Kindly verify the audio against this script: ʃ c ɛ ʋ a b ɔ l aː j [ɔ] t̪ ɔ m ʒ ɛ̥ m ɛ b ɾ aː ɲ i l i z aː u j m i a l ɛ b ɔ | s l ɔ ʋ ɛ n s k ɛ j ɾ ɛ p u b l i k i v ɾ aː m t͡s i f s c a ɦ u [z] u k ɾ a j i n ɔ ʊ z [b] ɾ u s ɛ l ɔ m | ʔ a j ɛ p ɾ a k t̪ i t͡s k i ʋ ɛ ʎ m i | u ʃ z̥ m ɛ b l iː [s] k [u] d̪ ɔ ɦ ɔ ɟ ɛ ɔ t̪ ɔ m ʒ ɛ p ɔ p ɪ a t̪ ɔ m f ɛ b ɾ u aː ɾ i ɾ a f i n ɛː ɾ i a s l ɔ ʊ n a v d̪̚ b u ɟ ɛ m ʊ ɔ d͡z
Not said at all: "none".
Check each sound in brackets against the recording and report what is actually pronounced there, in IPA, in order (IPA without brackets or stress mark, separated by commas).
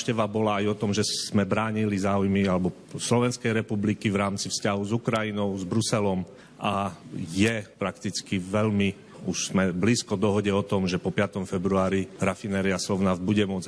ɔ, z, b, s, ɔ